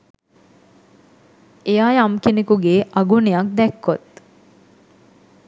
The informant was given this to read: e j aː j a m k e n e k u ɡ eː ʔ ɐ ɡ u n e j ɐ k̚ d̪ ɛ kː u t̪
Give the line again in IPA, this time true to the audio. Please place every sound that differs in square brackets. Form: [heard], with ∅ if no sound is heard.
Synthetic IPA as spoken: e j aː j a m k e n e k u ɡ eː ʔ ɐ ɡ u n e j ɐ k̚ d̪ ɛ kː [o] t̪